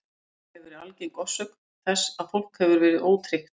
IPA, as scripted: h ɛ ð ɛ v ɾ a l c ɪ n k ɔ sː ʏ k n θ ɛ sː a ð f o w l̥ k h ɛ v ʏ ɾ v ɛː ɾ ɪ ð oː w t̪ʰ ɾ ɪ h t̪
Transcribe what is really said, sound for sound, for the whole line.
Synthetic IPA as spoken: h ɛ v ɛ ɾ a l c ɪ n k ɔ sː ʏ k n θ ɛ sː a ð f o w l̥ k h ɛ v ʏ ɾ v ɛː ɾ ɪ ð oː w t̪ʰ ɾ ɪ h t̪